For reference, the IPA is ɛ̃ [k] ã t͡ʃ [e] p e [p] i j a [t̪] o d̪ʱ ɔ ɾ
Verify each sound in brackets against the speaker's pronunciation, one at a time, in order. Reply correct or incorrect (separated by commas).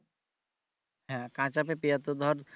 correct, incorrect, correct, correct